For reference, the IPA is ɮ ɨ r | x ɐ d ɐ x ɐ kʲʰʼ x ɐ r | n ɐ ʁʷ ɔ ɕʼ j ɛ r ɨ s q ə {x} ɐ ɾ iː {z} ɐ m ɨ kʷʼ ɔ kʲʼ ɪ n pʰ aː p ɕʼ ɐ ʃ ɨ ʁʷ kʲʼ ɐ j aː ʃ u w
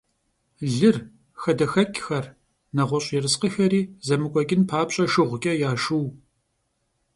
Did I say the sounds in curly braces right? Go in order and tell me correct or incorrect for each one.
correct, correct

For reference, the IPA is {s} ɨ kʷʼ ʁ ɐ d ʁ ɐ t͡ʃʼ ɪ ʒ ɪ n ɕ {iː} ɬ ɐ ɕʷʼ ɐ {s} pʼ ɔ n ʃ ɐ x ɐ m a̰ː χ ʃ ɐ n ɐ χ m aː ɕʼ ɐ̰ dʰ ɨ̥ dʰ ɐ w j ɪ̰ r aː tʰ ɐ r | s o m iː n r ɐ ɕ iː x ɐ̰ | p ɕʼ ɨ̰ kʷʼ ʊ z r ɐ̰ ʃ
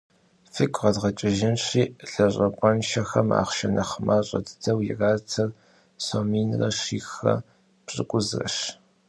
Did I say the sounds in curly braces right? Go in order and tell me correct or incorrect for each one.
incorrect, correct, incorrect

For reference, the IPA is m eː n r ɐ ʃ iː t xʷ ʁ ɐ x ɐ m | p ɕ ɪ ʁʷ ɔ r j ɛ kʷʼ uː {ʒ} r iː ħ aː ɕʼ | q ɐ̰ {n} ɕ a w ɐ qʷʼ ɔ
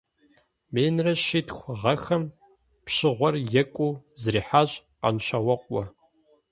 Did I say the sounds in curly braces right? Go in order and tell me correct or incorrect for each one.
incorrect, correct

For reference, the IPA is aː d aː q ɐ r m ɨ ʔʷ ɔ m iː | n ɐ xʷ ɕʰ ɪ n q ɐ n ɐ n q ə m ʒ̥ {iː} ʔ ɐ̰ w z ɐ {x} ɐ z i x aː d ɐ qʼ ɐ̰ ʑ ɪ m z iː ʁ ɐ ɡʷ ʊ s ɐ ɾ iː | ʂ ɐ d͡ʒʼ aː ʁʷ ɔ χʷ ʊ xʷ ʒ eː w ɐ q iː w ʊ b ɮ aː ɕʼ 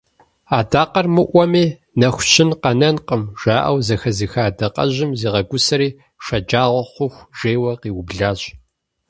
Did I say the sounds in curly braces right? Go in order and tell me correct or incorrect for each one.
incorrect, correct

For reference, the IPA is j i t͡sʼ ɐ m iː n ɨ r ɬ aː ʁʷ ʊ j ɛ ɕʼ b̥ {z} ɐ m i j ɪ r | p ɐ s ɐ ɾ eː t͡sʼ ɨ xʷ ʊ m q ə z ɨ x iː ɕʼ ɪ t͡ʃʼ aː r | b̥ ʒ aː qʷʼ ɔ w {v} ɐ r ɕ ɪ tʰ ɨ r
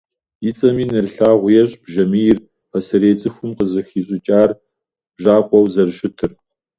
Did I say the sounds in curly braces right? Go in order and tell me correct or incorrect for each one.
incorrect, incorrect

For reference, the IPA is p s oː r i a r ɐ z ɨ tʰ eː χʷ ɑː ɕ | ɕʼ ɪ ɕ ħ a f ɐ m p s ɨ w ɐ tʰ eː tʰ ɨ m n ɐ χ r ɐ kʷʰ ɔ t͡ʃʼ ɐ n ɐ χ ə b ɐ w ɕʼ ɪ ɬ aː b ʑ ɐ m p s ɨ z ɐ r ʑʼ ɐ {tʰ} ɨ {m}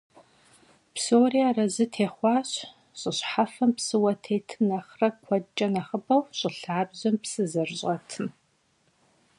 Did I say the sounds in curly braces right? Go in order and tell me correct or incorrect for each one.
correct, correct

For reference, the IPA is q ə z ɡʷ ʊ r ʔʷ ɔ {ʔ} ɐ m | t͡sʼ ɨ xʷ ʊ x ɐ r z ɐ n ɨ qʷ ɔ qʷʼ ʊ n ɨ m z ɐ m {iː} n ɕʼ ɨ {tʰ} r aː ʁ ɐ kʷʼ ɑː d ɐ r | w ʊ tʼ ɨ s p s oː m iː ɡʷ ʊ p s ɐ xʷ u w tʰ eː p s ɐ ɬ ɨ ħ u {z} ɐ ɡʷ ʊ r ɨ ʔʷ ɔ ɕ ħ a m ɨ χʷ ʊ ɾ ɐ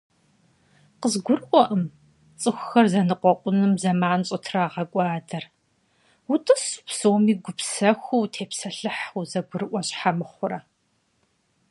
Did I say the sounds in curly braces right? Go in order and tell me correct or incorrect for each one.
correct, incorrect, correct, correct

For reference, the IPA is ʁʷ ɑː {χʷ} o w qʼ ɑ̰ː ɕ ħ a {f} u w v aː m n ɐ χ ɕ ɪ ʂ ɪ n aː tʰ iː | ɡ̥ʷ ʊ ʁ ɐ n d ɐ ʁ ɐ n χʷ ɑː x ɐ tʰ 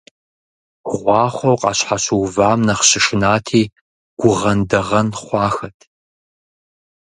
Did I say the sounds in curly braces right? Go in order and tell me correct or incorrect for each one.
correct, incorrect

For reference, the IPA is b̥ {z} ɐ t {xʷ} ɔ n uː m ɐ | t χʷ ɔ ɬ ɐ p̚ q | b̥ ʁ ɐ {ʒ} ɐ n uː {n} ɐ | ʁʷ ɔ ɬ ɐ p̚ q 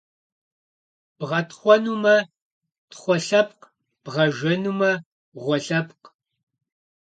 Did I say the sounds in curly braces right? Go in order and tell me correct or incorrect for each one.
incorrect, incorrect, correct, incorrect

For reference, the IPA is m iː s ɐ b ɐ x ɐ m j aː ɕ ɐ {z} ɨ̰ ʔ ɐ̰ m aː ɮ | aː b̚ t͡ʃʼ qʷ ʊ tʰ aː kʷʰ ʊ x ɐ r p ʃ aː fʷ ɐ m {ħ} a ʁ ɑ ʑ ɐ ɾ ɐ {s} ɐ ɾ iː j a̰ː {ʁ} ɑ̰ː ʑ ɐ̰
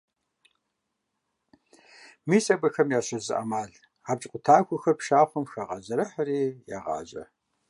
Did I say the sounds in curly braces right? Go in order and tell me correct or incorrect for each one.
correct, incorrect, incorrect, correct

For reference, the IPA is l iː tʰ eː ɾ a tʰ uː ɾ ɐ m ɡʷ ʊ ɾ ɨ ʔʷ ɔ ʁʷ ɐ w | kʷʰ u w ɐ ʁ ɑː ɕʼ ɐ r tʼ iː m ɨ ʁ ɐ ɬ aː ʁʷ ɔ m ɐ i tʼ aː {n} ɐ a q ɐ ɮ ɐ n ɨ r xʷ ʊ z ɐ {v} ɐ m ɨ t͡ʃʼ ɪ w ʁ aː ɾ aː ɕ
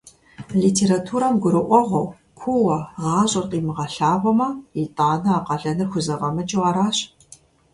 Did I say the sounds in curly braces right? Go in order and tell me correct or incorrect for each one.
correct, incorrect

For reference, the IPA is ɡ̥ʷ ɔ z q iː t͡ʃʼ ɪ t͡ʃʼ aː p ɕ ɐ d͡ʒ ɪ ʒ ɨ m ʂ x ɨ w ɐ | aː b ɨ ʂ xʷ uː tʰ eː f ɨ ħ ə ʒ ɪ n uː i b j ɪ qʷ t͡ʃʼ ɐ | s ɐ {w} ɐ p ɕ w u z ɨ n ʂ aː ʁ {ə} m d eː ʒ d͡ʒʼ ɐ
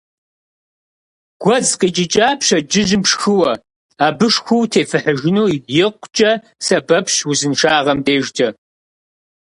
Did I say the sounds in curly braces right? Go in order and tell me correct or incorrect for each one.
incorrect, incorrect

